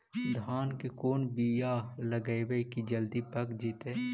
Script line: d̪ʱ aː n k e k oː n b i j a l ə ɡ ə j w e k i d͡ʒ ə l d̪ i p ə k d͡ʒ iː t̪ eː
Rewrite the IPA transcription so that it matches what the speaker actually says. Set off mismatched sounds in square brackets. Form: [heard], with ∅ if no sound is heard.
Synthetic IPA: d̪ʱ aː n k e k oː n b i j a l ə ɡ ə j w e k i d͡ʒ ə l d̪ i p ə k d͡ʒ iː t̪ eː

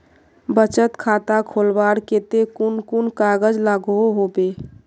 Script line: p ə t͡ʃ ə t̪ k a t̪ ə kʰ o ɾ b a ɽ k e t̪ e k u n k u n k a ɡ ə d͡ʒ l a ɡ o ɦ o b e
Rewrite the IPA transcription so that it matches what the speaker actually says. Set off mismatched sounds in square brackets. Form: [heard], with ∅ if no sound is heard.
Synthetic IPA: [b] ə t͡ʃ ə t̪ [kʰ] a t̪ [a] kʰ o [l] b a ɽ k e t̪ e k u n k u n k a ɡ ə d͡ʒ l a ɡ o ɦ o b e

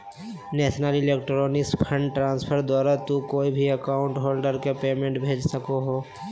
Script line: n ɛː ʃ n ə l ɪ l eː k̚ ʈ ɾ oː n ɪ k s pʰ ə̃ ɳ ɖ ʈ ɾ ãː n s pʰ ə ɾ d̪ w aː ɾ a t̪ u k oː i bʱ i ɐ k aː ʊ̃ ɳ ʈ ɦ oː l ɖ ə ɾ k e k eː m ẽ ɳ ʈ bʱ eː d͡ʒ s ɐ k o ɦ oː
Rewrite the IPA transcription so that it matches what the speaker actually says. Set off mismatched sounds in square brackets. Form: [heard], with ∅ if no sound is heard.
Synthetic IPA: n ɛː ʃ n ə l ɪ l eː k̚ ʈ ɾ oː n ɪ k s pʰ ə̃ ɳ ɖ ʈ ɾ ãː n s pʰ ə ɾ d̪ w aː ɾ a t̪ u k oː i bʱ i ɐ k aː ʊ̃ ɳ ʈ ɦ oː l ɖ ə ɾ k e [p] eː m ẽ ɳ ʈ bʱ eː d͡ʒ s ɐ k o ɦ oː

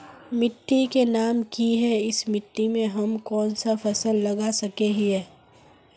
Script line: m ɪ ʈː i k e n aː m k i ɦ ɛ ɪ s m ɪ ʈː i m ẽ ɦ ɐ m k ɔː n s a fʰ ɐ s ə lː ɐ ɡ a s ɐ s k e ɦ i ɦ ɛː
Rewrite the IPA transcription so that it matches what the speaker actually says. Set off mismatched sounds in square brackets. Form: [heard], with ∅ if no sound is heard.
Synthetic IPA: m ɪ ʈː i k e n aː m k i ɦ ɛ ɪ s m ɪ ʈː i m ẽ ɦ ɐ m k ɔː n s a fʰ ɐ s ə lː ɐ ɡ a s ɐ [∅] k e ɦ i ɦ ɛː

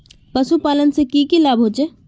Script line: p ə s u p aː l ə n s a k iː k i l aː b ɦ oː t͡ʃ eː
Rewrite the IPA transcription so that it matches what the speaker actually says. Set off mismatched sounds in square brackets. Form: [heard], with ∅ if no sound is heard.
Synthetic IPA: p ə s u p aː l ə n s [e] k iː k i l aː b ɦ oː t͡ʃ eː

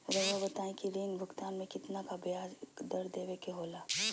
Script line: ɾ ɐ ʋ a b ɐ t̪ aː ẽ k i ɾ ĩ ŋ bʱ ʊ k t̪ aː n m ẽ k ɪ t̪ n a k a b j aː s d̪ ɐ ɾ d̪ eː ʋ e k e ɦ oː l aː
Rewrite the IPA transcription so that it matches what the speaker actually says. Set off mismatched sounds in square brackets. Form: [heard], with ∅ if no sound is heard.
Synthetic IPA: ɾ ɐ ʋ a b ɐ t̪ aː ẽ k i ɾ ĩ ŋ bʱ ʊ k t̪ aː n m ẽ k ɪ t̪ n a k a b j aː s d̪ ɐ ɾ d̪ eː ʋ e k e ɦ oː l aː

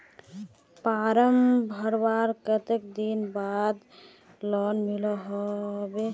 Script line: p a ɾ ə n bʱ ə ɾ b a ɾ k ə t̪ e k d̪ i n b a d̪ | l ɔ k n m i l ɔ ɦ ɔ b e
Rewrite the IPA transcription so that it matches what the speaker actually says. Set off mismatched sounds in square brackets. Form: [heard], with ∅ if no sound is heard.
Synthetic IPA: p a ɾ ə [m] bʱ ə ɾ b a ɾ k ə t̪ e k d̪ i n b a d̪ | l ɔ [∅] n m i l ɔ ɦ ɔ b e

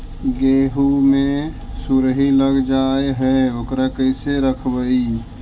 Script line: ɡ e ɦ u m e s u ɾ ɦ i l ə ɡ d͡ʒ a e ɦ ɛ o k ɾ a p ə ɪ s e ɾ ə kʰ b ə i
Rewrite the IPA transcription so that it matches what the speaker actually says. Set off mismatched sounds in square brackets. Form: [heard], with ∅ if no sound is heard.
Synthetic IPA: ɡ e ɦ u m e s u ɾ ɦ i l ə ɡ d͡ʒ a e ɦ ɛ o k ɾ a [k] ə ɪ s e ɾ ə kʰ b ə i

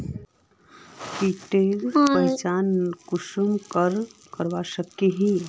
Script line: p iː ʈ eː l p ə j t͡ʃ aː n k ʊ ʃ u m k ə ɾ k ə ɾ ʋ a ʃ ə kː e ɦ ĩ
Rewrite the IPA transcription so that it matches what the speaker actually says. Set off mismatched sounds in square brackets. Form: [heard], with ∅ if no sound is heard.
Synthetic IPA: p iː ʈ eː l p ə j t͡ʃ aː n k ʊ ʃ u m k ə ɾ k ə ɾ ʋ a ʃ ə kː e ɦ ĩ

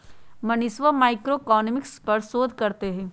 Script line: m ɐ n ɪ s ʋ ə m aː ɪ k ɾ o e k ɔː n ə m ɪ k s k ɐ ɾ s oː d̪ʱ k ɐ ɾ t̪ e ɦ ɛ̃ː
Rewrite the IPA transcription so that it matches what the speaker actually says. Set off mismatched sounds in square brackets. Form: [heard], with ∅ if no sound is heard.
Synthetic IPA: m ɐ n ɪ s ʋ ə m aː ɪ k ɾ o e k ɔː n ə m ɪ k s [p] ɐ ɾ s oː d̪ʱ k ɐ ɾ t̪ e ɦ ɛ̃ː

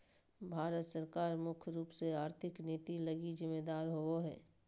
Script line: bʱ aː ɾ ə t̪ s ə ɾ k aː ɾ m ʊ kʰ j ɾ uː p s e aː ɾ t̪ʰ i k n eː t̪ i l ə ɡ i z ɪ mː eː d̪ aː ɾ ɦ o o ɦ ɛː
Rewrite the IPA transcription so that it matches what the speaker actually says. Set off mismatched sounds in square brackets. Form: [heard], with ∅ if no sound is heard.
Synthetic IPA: bʱ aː ɾ ə t̪ s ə ɾ k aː ɾ m ʊ kʰ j ɾ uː p s e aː ɾ t̪ʰ [ɪ] k n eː t̪ i l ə ɡ i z ɪ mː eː d̪ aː ɾ ɦ o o ɦ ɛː

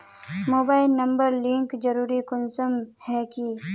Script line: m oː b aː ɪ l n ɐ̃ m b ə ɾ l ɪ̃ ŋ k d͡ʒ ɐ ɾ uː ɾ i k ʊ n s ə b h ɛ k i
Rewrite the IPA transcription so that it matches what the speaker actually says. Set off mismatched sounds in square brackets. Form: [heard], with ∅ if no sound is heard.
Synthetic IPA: m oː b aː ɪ l n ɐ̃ m b ə ɾ l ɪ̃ ŋ k d͡ʒ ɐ ɾ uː ɾ i k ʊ n s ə [m] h ɛ k i

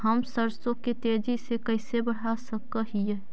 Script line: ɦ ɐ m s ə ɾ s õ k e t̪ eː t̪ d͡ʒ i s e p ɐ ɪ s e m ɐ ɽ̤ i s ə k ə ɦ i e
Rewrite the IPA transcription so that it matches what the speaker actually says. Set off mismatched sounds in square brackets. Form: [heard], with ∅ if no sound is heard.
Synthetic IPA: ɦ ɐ m s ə ɾ s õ k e t̪ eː [∅] d͡ʒ i s e [k] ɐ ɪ s e [b] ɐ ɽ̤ [a] s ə k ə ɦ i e

